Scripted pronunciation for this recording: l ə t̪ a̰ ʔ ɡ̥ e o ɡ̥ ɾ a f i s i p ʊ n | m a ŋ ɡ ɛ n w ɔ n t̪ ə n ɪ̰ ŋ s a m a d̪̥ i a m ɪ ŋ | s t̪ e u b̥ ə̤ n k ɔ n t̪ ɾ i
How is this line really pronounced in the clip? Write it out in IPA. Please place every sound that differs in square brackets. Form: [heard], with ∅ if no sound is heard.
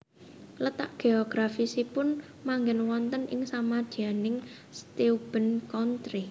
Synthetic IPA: l ə t̪ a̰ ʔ ɡ̥ e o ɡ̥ ɾ a f i s i p ʊ n | m a ŋ ɡ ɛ n w ɔ n t̪ ə n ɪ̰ ŋ s a m a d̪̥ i a [n] ɪ ŋ | s t̪ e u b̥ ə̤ n k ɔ n t̪ ɾ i